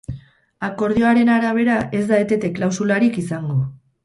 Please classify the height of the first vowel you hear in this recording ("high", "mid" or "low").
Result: low